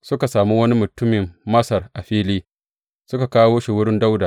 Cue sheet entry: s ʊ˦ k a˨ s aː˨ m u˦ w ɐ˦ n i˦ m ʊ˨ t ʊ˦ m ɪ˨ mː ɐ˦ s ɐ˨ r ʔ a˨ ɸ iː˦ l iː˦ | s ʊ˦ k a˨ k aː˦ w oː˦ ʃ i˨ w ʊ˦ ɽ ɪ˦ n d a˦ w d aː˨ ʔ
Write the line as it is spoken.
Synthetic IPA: s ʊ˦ k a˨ s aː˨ m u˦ w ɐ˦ n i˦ m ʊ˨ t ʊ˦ m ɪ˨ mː ɐ˦ s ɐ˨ r ʔ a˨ ɸ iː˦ l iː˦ | s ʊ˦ k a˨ k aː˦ w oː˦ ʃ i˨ w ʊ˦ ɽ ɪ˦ n d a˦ w d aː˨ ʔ

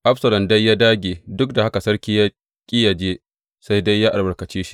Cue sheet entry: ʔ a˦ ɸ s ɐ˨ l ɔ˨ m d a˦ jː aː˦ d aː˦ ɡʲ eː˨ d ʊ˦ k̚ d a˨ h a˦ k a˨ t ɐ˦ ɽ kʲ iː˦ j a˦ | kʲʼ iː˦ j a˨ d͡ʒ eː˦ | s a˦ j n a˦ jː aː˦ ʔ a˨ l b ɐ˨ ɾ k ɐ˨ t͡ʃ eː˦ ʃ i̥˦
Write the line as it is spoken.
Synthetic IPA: ʔ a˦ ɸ s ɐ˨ l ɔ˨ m d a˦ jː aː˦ d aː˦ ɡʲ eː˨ d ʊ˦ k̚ d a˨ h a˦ k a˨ s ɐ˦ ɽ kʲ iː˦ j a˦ | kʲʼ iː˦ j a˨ d͡ʒ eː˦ | s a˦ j d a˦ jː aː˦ ʔ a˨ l b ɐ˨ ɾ k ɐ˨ t͡ʃ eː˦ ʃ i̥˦

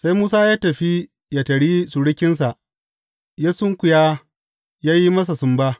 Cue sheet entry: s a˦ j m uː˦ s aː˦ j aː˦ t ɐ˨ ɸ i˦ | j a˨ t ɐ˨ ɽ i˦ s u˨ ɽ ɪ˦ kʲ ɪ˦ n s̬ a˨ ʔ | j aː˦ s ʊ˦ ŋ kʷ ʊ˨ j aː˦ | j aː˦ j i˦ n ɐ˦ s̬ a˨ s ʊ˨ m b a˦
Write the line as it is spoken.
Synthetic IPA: s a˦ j m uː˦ s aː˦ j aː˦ t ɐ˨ ɸ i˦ | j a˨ t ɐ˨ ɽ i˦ s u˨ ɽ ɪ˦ kʲ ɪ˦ n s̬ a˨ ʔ | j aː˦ s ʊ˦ ŋ kʷ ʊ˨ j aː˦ | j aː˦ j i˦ m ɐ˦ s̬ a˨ s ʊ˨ m b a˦

